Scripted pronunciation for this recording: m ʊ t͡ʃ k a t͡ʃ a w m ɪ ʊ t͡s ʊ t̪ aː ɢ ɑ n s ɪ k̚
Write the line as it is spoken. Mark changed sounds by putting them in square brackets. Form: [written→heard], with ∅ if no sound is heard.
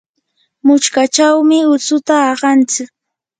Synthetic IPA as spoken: m ʊ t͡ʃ k a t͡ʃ a w m ɪ ʊ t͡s ʊ t̪ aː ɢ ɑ n [s→t͡s] ɪ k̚